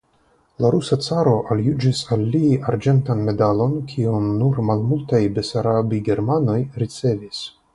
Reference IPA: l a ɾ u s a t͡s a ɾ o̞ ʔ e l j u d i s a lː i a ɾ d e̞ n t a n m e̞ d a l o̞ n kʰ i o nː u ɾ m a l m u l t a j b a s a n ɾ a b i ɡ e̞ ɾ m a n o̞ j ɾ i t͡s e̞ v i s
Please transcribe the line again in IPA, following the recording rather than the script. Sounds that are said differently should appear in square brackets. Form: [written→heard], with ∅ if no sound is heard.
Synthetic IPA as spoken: l a ɾ u s a t͡s a ɾ o̞ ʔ [e→a] l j u [d→d͡ʒ] i s a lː i a ɾ [d→d͡ʒ] e̞ n t a n m e̞ d a l o̞ n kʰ i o nː u ɾ m a l m u l t a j b [a→e] s a [n→∅] ɾ a b i ɡ e̞ ɾ m a n o̞ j ɾ i t͡s e̞ v i s